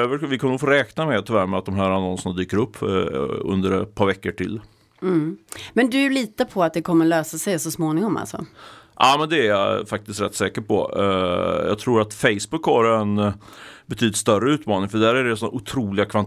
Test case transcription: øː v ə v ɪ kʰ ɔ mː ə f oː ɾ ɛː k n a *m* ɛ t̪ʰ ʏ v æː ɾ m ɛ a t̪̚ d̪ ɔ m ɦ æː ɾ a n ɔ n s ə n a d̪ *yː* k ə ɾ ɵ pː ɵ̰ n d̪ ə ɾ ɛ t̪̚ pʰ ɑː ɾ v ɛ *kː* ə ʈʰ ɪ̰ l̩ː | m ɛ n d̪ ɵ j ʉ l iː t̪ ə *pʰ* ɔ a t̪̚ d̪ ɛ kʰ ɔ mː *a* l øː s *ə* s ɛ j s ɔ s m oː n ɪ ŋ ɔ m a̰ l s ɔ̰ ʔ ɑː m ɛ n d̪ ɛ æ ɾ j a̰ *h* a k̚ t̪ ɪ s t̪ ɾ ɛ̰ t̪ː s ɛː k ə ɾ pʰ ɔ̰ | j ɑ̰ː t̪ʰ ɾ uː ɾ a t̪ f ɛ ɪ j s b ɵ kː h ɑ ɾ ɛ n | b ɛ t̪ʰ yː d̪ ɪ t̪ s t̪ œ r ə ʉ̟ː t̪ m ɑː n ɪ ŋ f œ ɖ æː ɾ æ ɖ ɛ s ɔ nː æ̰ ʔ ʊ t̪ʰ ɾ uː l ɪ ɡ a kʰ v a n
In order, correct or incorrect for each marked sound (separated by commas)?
correct, correct, correct, correct, incorrect, incorrect, incorrect